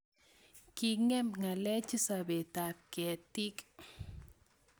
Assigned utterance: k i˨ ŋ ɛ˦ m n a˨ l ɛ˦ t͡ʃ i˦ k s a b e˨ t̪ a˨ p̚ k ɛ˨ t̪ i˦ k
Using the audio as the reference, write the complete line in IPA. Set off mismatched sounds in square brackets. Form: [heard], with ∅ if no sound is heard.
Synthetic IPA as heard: k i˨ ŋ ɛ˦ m [ŋ] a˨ l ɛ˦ t͡ʃ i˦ [∅] s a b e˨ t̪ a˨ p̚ k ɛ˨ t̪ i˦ k